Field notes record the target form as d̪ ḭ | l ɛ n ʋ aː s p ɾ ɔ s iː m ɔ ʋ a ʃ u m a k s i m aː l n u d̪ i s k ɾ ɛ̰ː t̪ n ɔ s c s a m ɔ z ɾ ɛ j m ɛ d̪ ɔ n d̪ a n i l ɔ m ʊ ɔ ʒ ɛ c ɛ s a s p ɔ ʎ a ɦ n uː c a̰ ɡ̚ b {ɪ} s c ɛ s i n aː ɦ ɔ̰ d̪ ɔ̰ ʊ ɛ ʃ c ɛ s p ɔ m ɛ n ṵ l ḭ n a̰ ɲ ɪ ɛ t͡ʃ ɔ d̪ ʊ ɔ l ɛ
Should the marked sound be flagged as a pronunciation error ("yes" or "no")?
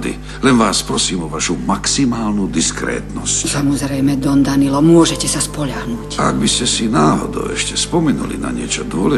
yes